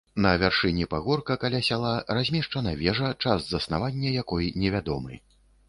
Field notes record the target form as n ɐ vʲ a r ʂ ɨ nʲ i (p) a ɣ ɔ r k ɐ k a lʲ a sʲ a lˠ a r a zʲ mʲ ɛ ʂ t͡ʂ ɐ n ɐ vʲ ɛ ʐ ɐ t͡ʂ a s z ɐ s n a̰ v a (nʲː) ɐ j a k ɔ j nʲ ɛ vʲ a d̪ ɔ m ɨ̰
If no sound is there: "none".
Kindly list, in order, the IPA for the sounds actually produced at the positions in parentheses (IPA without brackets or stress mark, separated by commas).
p, nʲː